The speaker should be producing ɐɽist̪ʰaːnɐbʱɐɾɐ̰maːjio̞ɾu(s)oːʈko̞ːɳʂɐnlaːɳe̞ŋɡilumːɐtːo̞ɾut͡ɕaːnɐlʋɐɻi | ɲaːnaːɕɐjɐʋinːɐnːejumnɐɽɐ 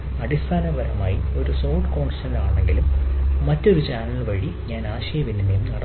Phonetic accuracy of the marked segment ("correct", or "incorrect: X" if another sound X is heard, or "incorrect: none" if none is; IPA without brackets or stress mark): correct